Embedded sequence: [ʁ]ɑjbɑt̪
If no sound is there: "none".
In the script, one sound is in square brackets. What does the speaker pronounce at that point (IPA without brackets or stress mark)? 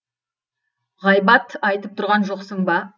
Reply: ʁ